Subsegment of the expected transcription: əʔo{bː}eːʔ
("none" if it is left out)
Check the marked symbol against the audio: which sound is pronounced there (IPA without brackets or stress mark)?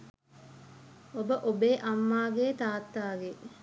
b